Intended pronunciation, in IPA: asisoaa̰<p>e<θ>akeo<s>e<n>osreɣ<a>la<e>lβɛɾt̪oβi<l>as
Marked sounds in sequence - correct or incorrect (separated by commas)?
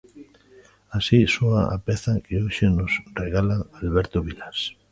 correct, correct, incorrect, correct, correct, incorrect, correct